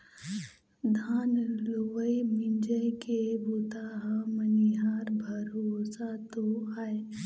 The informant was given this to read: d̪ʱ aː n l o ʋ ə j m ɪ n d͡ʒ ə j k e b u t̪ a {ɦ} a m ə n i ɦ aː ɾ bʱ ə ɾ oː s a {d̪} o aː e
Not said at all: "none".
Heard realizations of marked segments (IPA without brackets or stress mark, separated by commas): ɦ, t̪